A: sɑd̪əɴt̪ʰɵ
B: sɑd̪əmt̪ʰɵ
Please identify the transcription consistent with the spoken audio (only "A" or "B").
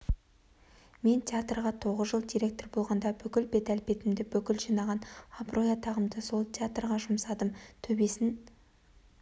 B